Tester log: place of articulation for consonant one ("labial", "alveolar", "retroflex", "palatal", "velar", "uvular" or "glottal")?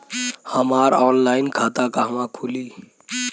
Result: glottal